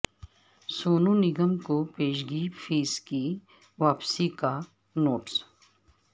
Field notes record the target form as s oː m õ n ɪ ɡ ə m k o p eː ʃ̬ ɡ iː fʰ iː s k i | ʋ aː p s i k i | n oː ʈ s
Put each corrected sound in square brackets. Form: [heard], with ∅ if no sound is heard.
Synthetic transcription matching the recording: s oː [n] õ n ɪ ɡ ə m k o p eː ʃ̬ ɡ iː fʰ iː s k i | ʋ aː p s i k [a] | n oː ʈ s